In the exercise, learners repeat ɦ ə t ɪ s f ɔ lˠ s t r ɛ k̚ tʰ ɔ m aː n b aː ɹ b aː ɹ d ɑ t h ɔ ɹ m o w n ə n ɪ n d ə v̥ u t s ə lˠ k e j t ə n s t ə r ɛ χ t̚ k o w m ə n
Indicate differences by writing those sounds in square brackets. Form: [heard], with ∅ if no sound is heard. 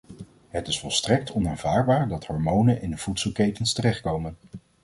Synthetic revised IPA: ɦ ə t ɪ s f ɔ lˠ s t r ɛ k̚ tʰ ɔ [n] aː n [v] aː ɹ b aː ɹ d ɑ t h ɔ ɹ m o w n ə n ɪ n d ə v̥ u t s ə lˠ k e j t ə n s t ə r ɛ χ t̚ k o w m ə n